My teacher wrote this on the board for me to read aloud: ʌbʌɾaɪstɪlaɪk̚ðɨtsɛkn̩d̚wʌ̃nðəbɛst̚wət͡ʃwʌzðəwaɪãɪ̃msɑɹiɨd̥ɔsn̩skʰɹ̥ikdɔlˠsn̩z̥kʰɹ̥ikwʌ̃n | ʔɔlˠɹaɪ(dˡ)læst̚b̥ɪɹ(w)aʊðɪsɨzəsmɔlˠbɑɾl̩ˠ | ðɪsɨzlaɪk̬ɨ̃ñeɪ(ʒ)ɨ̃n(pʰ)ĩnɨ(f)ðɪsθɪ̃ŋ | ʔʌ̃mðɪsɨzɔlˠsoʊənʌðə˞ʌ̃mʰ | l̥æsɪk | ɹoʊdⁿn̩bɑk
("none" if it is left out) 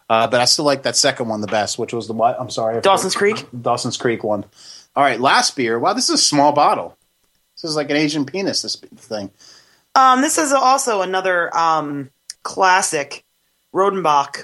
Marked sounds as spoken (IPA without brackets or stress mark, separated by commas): tˡ, w, ʒ, pʰ, s